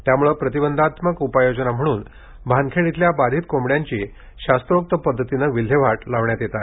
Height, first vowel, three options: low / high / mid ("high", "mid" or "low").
low